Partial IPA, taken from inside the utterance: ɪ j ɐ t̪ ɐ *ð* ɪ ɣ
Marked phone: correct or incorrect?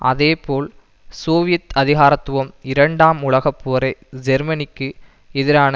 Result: correct